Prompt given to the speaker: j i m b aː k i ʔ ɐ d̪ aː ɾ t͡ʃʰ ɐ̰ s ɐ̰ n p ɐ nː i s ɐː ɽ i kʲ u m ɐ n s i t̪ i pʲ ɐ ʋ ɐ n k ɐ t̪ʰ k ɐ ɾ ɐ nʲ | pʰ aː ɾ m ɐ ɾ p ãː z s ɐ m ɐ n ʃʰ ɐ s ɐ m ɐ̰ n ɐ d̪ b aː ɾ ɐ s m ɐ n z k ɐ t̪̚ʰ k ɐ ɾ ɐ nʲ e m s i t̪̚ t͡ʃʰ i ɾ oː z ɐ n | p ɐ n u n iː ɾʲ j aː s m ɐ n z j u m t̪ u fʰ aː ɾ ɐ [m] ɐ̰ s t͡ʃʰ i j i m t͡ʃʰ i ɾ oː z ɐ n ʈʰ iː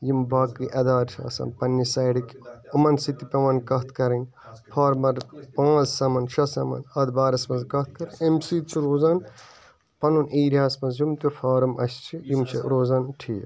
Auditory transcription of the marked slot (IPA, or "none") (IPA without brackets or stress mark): m